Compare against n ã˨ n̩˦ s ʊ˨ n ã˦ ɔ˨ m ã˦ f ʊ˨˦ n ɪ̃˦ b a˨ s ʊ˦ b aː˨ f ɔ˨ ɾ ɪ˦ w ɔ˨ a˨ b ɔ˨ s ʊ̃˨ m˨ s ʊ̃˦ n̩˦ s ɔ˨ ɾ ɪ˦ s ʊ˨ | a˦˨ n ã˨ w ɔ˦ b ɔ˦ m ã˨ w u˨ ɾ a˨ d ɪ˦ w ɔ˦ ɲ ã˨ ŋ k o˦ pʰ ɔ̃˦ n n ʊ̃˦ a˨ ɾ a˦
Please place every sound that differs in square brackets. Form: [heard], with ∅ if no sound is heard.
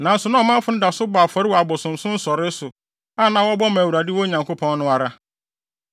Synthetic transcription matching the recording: n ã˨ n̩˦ s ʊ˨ n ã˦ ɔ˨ m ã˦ f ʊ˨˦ n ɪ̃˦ [d] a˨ s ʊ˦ b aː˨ f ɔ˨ ɾ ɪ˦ w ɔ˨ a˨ b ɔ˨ s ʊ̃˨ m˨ s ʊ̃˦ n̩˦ s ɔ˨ ɾ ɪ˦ s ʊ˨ | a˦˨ n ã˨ w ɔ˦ b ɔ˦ m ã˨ w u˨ ɾ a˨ d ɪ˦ w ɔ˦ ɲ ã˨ ŋ k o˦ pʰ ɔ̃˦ n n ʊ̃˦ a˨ ɾ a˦